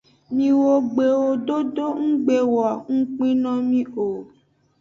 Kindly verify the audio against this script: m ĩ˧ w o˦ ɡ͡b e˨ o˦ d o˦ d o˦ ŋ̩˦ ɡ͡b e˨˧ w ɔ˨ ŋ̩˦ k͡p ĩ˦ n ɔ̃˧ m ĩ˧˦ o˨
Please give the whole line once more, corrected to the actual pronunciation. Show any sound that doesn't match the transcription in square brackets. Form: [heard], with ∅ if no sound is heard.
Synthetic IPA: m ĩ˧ w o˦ ɡ͡b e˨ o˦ d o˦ d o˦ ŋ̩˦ ɡ͡b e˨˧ w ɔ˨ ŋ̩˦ k͡p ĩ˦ n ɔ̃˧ m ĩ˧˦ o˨